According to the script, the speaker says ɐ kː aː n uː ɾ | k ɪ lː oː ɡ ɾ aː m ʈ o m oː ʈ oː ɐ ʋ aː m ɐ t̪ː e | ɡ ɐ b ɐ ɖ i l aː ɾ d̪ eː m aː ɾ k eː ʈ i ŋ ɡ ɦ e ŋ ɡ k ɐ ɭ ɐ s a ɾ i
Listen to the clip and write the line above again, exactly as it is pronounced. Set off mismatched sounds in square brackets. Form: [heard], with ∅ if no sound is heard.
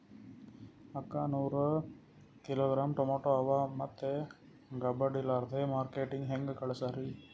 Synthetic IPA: ɐ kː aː n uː ɾ | k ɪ [l] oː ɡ ɾ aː m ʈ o m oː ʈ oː ɐ ʋ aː m ɐ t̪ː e | ɡ ɐ b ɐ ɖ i l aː ɾ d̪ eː m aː ɾ k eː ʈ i ŋ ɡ ɦ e ŋ ɡ k ɐ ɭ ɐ s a ɾ i